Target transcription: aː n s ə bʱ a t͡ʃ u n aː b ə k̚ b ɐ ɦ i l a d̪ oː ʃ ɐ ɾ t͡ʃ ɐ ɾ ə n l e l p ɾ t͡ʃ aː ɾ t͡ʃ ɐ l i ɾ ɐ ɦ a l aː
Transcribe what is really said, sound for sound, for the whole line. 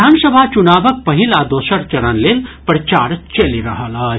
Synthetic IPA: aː n s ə bʱ a t͡ʃ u n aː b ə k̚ p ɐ ɦ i l a d̪ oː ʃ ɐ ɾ t͡ʃ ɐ ɾ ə n l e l p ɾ t͡ʃ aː ɾ t͡ʃ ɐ l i ɾ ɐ ɦ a l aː